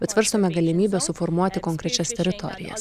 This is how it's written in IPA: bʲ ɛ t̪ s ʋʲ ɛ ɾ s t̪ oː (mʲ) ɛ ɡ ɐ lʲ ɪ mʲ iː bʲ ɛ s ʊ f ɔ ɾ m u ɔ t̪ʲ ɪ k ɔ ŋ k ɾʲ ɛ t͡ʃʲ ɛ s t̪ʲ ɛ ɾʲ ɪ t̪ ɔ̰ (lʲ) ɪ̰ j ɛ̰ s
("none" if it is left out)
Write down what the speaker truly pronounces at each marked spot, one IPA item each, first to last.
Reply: mʲ, ɾʲ

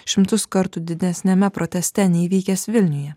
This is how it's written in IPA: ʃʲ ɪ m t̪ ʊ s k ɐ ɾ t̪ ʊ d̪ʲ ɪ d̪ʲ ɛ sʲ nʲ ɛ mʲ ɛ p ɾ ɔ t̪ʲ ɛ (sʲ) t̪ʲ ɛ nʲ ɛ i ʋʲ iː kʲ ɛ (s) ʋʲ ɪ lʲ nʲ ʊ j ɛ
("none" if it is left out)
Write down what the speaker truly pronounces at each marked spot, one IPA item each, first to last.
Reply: sʲ, s

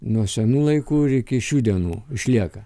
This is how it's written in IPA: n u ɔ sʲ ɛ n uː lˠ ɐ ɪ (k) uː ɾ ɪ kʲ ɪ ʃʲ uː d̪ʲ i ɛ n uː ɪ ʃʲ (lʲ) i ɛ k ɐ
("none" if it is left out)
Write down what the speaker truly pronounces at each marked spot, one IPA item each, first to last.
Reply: k, lʲ

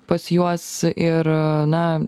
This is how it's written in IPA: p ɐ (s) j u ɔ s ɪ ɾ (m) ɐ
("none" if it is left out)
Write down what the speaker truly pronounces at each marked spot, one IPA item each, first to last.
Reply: s, n

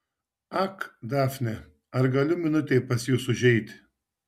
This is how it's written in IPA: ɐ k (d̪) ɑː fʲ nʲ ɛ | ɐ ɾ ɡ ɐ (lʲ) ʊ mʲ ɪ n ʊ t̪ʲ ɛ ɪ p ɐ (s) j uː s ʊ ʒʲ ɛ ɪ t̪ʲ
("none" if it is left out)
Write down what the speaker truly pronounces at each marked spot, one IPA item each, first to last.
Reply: d̪, lʲ, s

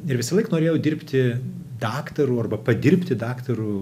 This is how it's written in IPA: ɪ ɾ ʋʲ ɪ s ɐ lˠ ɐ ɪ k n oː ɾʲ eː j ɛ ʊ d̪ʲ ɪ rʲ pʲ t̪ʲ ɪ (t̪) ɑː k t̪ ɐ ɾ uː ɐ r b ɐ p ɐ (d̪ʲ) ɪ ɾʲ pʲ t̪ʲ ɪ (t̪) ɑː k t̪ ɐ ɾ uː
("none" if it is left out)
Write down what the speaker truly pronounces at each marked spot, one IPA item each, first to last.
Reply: d̪, d̪ʲ, d̪

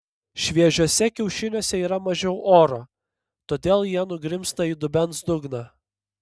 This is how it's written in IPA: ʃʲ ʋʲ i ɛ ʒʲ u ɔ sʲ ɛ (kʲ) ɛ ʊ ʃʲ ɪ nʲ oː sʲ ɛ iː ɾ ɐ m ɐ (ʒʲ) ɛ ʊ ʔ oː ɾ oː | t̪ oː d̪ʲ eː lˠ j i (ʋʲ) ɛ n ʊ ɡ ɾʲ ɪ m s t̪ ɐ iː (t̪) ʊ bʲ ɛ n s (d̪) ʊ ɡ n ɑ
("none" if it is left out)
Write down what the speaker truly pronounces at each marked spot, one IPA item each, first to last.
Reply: kʲ, ʒʲ, none, d̪, d̪

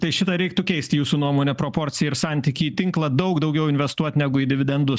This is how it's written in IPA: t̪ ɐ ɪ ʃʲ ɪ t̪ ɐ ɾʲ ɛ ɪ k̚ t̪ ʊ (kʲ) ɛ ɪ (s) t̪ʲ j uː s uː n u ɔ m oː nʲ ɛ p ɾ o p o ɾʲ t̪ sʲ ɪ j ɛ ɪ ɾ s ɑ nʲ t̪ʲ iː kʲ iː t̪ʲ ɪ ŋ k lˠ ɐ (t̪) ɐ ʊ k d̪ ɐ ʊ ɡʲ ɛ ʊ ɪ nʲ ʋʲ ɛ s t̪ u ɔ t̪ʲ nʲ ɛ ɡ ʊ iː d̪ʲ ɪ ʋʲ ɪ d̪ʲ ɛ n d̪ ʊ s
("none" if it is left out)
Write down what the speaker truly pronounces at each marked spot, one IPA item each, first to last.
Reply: kʲ, s, d̪

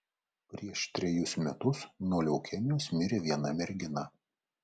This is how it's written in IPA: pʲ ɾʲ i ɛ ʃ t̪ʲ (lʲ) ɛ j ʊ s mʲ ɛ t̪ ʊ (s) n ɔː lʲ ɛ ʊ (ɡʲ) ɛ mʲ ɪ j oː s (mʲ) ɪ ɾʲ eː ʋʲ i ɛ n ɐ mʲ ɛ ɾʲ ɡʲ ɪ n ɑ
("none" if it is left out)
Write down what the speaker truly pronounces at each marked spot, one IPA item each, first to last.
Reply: ɾʲ, s, kʲ, mʲ

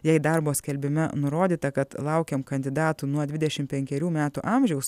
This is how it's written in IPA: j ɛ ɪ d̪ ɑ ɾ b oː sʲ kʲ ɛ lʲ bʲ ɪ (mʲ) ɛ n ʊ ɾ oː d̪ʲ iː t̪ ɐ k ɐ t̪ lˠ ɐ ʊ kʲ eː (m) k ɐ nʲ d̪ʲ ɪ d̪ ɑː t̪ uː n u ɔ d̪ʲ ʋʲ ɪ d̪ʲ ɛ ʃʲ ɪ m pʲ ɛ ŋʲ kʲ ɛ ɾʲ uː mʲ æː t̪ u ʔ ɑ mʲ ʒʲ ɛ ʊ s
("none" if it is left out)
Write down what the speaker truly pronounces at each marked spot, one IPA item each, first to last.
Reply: mʲ, m

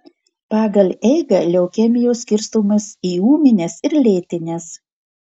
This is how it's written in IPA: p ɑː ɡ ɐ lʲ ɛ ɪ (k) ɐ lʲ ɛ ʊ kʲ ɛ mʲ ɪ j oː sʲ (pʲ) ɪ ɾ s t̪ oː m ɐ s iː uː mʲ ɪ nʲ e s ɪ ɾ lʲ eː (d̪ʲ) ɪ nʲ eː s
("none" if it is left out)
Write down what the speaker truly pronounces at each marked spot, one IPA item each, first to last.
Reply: ɡ, kʲ, t̪ʲ

